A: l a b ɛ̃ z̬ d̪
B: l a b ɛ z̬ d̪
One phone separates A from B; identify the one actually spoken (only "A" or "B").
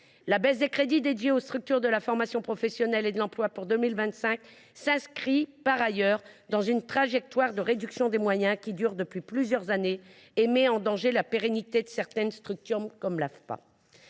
B